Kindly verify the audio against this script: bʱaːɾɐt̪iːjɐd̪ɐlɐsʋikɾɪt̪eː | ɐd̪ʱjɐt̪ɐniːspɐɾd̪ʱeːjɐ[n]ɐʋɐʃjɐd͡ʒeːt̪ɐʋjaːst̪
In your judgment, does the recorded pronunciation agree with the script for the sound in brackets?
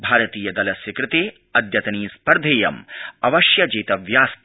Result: no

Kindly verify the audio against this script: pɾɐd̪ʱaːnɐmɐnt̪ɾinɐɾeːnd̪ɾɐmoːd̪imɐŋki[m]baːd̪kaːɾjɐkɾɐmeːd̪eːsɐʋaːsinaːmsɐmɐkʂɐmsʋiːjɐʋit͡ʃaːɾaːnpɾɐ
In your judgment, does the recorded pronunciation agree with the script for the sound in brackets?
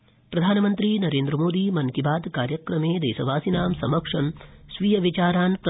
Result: no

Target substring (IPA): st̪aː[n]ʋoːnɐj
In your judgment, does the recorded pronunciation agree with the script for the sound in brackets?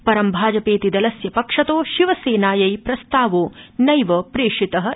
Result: no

